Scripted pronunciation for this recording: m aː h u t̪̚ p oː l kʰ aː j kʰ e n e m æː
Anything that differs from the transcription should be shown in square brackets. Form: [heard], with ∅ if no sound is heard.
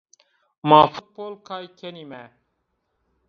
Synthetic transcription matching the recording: m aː [f] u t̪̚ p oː l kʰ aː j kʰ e n [i] m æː